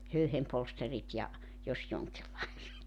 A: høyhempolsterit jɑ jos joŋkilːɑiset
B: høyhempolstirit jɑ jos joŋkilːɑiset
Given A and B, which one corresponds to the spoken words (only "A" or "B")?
A